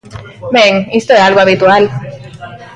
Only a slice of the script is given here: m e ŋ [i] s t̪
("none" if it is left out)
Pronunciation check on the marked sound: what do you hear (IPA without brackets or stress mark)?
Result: i